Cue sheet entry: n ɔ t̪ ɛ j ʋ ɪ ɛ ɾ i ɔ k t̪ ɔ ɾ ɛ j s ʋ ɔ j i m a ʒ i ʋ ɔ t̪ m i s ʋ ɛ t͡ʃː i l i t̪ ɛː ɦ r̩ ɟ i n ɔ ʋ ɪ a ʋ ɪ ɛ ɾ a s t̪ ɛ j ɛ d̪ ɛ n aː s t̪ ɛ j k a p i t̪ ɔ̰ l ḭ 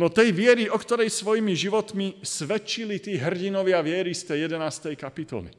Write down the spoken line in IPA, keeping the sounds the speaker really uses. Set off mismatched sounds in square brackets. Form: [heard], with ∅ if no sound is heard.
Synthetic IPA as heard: n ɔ t̪ ɛ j ʋ ɪ ɛ ɾ i ɔ k t̪ ɔ ɾ ɛ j s ʋ ɔ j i m [i] ʒ i ʋ ɔ t̪ m i s ʋ ɛ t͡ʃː i l i t̪ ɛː ɦ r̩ ɟ i n ɔ ʋ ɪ a ʋ ɪ ɛ ɾ [i] s t̪ ɛ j ɛ d̪ ɛ n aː s t̪ ɛ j k a p i t̪ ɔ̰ l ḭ